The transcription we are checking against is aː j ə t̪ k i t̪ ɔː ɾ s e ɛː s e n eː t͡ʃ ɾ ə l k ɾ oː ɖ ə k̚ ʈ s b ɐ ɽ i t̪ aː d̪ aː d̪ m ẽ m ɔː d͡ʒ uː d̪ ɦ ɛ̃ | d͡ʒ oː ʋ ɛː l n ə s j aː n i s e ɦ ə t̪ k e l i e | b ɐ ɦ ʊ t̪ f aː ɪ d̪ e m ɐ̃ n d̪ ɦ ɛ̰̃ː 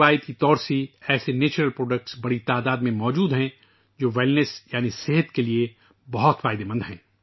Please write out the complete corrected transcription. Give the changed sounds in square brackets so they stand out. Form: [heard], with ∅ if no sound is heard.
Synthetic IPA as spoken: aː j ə t̪ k i t̪ ɔː ɾ s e ɛː s e n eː t͡ʃ ɾ ə l [p] ɾ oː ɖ ə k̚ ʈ s b ɐ ɽ i t̪ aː d̪ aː d̪ m ẽ m ɔː d͡ʒ uː d̪ ɦ ɛ̃ | d͡ʒ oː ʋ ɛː l n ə s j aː n i s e ɦ ə t̪ k e l i e | b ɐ ɦ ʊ t̪ f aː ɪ d̪ e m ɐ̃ n d̪ ɦ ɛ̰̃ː